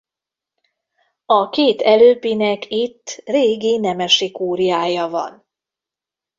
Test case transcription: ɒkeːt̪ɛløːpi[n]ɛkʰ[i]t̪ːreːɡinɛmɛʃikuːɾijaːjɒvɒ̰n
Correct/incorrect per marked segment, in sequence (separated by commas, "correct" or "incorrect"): correct, correct